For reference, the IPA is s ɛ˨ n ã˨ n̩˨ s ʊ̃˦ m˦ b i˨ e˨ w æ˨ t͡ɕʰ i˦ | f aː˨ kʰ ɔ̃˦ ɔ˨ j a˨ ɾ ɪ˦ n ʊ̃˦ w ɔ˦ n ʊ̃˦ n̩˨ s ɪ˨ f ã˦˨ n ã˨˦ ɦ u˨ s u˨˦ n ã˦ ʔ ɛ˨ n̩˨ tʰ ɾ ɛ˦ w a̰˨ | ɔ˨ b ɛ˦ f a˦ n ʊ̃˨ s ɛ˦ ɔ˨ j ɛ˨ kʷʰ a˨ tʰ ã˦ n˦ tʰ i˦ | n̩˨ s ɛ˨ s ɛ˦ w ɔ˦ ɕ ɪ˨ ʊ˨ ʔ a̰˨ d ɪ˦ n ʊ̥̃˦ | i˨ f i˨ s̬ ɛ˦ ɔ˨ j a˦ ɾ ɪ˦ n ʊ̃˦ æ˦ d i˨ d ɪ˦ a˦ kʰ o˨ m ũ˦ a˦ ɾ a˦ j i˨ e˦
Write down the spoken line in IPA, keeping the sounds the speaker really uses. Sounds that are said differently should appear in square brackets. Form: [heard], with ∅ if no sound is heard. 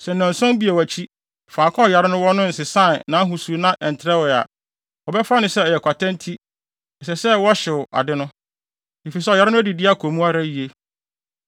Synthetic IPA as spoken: s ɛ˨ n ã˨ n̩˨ s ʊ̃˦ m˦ b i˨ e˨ w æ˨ t͡ɕʰ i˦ | f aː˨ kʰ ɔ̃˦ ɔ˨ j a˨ ɾ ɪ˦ n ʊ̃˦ w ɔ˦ n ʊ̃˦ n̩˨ s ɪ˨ [s] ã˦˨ n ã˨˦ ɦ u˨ s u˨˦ n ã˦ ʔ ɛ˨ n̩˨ tʰ ɾ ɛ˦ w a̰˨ | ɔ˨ b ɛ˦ f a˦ n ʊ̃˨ s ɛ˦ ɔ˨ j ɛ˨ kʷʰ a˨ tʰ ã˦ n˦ tʰ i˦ | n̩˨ s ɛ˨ s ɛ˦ w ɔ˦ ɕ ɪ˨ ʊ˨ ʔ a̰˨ d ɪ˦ n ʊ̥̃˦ | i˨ f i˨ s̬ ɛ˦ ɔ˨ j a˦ ɾ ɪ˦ n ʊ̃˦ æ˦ d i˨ d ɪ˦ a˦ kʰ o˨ m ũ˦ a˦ ɾ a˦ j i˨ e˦